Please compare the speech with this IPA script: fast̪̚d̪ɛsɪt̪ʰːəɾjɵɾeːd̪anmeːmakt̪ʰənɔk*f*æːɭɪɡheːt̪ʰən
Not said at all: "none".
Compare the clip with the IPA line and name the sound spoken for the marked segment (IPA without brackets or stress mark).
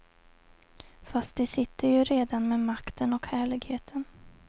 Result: h